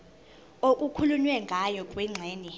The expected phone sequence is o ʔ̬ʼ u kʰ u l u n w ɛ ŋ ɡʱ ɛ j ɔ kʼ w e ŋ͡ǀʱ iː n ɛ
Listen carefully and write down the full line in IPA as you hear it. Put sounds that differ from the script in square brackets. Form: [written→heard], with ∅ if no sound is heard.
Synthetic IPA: o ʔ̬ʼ u kʰ u l u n w ɛ ŋ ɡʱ [ɛ→a] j ɔ kʼ w [e→ɛ] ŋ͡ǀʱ [iː→ɛː] n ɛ